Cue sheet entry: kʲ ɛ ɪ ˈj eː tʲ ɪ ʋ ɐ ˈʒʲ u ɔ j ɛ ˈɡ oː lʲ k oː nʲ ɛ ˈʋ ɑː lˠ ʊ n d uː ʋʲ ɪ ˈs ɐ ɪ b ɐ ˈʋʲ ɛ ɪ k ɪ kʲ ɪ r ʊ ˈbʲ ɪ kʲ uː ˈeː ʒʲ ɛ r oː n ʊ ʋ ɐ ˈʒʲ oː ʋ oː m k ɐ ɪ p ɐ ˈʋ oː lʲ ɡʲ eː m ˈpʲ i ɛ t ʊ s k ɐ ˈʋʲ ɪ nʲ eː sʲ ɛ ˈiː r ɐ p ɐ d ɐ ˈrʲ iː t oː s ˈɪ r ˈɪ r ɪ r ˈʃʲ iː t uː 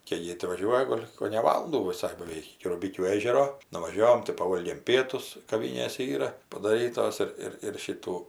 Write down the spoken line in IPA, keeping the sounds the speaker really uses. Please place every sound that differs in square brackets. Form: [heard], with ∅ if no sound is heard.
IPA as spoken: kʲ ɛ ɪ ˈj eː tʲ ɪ ʋ ɐ ˈʒʲ u ɔ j ɛ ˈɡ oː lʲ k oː nʲ ɛ ˈʋ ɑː lˠ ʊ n d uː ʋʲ ɪ ˈs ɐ ɪ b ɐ ˈʋʲ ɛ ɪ k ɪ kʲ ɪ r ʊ ˈbʲ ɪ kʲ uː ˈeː ʒʲ ɛ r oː n ʊ ʋ ɐ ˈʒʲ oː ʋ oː m [t] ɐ ɪ p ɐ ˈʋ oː lʲ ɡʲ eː m ˈpʲ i ɛ t ʊ s k ɐ ˈʋʲ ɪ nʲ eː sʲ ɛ ˈiː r ɐ p ɐ d ɐ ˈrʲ iː t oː s ˈɪ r ˈɪ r ɪ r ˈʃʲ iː t uː